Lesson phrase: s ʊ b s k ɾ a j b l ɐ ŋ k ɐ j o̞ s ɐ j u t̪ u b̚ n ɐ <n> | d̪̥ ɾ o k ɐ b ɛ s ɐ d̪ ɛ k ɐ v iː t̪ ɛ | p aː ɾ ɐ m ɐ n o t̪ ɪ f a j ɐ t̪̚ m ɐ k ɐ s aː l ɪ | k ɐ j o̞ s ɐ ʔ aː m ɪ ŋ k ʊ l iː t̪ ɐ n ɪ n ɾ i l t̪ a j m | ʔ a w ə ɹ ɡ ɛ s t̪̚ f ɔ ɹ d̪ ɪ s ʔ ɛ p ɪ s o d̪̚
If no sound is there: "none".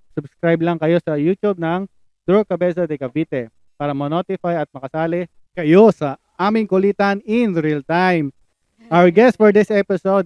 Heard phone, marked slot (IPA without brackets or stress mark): ŋ